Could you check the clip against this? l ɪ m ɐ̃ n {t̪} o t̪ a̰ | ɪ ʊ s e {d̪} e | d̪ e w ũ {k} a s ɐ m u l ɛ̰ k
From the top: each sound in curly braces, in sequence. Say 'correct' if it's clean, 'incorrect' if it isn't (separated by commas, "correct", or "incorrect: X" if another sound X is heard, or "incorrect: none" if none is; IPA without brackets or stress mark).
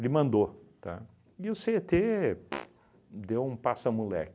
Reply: incorrect: d̪, incorrect: t̪, incorrect: p